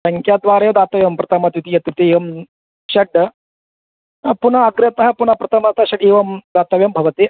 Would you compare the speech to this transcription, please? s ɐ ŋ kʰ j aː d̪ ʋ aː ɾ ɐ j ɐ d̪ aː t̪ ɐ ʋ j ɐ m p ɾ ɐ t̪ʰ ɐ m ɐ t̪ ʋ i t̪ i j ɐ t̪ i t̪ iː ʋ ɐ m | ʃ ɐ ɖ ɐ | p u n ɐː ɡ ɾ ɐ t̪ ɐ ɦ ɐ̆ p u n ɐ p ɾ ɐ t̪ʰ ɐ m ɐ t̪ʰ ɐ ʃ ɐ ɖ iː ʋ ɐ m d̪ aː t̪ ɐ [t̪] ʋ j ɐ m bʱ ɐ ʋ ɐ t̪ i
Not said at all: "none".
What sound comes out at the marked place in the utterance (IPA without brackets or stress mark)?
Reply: none